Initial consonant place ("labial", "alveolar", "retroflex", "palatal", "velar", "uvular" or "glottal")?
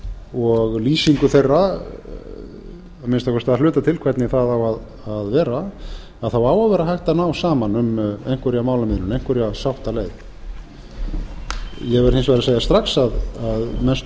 velar